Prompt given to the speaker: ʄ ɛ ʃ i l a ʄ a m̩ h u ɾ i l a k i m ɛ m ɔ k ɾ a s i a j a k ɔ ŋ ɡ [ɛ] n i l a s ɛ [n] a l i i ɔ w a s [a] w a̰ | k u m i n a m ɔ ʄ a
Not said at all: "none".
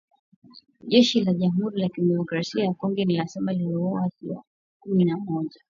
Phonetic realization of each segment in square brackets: ɛ, m, i

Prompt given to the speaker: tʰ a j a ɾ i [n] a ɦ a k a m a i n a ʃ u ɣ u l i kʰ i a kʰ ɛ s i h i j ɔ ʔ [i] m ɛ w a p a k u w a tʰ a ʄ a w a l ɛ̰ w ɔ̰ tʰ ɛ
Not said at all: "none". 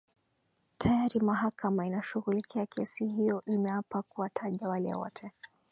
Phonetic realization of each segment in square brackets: m, i

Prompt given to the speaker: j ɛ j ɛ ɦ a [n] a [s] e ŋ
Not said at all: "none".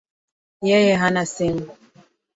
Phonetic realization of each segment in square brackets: n, s

